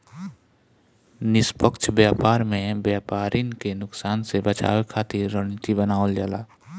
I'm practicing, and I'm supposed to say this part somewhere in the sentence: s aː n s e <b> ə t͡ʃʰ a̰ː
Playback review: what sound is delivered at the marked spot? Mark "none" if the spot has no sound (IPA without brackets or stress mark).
b